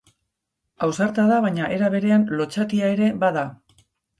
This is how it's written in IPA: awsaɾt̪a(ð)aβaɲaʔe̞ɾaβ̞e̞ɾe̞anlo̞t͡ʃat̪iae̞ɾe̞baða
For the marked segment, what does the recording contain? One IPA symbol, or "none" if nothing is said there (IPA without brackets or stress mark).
ð